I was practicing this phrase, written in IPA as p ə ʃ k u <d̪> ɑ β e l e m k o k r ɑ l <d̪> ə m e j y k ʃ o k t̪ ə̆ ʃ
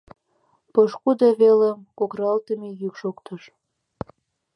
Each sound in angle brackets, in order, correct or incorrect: correct, incorrect

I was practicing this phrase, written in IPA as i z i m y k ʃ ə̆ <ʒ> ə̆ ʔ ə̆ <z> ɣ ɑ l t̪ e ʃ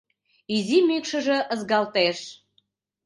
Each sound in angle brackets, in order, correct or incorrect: correct, correct

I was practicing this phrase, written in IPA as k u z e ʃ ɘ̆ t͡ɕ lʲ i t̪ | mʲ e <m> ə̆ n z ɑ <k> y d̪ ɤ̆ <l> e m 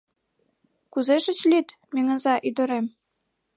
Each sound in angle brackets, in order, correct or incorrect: incorrect, incorrect, incorrect

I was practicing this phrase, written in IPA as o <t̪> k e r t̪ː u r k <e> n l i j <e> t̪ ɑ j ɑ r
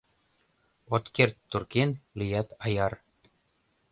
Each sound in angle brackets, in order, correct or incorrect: correct, correct, incorrect

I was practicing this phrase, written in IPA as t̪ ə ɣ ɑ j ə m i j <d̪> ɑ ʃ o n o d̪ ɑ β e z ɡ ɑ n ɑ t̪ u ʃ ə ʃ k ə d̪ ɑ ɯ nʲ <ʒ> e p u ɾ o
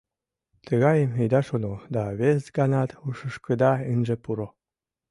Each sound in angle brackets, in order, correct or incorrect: correct, correct

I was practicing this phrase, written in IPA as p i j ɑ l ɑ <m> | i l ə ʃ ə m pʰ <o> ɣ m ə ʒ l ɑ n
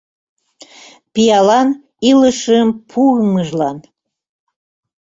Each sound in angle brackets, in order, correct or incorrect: incorrect, incorrect

